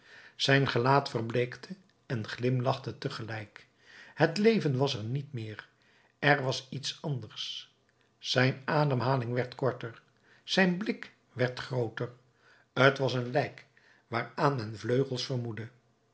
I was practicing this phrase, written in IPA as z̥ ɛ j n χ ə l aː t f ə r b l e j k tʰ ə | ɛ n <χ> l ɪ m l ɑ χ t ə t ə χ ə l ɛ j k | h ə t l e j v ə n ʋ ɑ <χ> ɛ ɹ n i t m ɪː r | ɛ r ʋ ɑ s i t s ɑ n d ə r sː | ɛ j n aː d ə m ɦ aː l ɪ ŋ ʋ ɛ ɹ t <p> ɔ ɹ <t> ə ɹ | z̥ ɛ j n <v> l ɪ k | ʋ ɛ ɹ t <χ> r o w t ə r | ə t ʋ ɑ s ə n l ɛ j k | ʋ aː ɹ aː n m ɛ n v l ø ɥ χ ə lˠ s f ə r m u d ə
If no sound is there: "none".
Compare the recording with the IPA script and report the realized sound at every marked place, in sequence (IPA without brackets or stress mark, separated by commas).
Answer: χ, s, k, t, b, χ